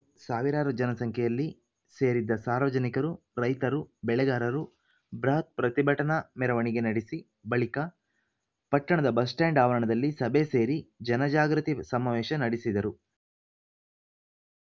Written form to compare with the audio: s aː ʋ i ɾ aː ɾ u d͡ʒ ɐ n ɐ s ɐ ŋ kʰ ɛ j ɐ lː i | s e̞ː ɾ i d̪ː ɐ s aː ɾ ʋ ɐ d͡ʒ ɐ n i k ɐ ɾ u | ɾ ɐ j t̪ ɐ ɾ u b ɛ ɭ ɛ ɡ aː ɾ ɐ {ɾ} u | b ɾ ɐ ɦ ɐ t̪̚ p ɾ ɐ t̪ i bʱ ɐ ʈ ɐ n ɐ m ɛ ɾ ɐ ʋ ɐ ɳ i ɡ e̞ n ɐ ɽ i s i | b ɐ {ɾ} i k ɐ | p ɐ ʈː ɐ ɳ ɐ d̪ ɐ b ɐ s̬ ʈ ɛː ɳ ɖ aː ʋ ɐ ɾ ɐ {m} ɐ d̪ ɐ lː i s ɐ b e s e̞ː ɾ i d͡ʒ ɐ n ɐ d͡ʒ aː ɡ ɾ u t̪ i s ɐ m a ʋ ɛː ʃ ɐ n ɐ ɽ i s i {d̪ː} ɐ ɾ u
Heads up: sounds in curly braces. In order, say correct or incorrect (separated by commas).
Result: correct, incorrect, incorrect, incorrect